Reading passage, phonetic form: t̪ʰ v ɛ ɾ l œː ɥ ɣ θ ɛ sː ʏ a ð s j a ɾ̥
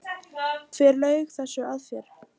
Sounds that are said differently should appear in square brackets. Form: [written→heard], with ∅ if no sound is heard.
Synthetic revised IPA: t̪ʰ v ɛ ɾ l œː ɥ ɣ θ ɛ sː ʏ a ð [s→f] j [a→ɛ] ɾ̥